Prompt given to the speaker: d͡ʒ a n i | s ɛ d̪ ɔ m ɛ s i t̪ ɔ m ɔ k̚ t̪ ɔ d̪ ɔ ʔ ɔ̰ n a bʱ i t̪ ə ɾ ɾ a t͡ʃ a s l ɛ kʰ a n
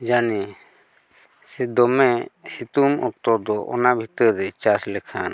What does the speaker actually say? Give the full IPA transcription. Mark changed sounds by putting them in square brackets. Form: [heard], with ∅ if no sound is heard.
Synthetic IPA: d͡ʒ a n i | s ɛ d̪ ɔ m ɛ s i t̪ [u] m ɔ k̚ t̪ ɔ d̪ ɔ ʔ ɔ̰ n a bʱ i t̪ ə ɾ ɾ [ɛ] t͡ʃ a s l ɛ kʰ a n

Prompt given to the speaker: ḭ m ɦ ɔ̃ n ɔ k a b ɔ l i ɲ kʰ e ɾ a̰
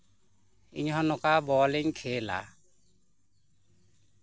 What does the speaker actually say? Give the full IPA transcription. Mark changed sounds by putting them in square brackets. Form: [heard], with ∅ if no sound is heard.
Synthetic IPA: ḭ [ɲ] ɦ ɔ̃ n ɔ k a b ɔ l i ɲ kʰ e [l] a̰

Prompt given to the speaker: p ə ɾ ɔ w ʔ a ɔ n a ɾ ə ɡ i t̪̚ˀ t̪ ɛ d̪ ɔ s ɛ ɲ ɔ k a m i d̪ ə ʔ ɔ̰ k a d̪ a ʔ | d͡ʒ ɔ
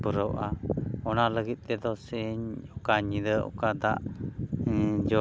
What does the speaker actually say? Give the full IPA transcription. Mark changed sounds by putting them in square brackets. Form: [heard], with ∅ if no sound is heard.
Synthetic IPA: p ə ɾ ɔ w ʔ a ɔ n a [l] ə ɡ i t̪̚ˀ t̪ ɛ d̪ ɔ s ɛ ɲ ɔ k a [ɲ] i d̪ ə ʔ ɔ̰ k a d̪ a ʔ | d͡ʒ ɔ

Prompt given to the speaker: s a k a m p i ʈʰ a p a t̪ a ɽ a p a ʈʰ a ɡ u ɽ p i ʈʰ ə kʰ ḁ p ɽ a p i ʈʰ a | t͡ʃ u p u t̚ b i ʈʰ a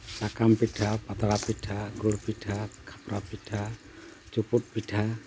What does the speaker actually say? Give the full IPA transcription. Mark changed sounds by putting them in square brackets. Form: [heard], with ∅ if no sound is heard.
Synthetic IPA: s a k a m p i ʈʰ a p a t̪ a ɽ a p [i] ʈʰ a ɡ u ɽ p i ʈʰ [a] kʰ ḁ p [ɾ] a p i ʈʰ a | t͡ʃ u p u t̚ [p] i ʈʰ a

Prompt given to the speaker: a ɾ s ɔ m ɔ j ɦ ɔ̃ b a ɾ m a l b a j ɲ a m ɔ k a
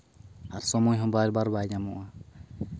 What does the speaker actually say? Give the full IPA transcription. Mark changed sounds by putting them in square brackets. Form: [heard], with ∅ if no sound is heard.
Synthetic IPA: a ɾ s ɔ m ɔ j ɦ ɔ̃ b a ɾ [b] a [ɾ] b a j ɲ a m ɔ [ʔ] a

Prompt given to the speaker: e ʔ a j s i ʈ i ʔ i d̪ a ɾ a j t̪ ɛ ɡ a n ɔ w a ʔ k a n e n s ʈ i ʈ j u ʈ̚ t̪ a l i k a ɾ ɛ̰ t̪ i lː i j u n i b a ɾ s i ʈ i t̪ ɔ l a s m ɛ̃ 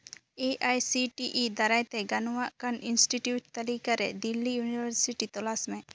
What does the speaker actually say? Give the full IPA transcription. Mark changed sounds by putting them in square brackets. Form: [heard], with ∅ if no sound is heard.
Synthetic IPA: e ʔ a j s i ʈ i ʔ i d̪ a ɾ a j t̪ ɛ ɡ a n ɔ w a ʔ k a n [i] n s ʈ i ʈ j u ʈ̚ t̪ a l i k a ɾ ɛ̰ [d̪] i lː i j u n i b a ɾ s i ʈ i t̪ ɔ l a s m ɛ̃

